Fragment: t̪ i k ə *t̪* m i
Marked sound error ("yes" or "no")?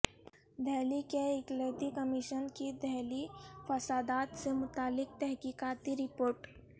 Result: yes